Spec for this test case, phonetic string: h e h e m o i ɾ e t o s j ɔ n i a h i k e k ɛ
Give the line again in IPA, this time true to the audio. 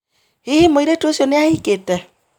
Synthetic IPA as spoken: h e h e m o i ɾ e t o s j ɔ n e a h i k e t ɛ